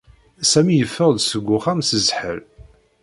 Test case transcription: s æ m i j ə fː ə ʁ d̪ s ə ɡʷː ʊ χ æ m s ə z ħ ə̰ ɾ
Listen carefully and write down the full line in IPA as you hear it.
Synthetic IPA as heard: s æ m i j ə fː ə ʁ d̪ s ə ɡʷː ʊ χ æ m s ə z ħ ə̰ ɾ